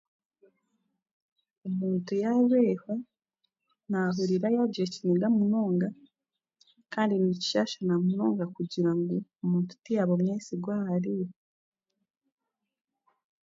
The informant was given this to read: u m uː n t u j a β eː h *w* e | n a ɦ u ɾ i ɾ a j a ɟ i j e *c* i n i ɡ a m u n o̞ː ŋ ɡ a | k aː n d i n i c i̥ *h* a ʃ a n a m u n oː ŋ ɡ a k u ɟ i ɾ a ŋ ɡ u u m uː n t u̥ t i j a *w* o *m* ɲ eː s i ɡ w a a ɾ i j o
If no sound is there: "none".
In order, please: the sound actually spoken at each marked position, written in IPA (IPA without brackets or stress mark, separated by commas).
w, c, ʃ, β, m